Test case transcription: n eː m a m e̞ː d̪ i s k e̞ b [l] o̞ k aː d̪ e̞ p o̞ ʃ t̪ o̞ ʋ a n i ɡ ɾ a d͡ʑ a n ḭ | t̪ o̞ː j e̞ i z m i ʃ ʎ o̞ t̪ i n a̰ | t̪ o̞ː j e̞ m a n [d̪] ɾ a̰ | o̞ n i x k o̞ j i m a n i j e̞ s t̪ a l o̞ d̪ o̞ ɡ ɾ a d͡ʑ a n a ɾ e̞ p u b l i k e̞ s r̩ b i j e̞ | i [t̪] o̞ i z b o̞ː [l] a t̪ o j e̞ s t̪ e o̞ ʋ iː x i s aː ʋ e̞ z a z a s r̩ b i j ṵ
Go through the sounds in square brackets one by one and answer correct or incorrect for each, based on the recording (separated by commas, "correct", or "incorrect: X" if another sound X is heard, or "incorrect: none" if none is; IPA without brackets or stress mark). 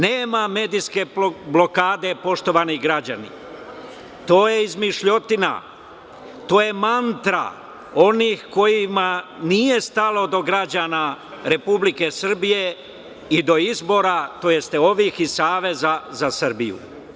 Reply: correct, incorrect: t̪, incorrect: d̪, incorrect: ɾ